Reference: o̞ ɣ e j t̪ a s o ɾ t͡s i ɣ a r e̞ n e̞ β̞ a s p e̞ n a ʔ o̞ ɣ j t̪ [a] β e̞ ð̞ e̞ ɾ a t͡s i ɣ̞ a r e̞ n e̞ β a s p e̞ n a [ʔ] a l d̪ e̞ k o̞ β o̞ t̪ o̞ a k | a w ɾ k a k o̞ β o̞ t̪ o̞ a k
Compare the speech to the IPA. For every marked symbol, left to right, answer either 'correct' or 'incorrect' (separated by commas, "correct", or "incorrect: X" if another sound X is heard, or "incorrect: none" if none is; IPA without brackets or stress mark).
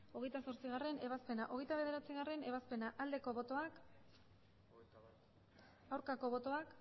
correct, correct